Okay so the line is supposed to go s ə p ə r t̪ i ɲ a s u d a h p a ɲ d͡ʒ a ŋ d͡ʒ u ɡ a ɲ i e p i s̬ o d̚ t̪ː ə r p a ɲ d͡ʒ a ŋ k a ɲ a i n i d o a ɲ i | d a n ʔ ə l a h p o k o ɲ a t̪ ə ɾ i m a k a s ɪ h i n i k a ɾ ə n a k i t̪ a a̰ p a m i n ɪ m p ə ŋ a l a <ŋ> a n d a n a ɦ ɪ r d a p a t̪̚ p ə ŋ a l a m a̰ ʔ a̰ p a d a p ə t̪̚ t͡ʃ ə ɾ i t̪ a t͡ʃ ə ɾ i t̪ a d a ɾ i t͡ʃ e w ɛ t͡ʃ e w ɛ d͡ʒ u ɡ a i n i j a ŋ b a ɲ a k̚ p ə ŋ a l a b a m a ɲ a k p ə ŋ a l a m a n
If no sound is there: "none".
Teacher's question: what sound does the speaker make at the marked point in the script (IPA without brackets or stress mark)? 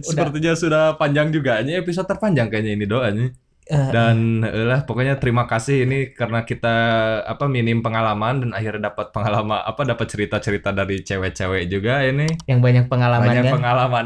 m